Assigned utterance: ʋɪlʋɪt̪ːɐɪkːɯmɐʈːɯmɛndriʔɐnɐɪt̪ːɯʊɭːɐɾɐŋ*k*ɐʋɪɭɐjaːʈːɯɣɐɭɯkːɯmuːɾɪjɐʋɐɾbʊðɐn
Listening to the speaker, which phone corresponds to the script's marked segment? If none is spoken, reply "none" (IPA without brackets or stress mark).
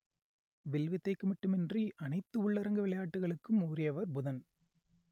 ɡ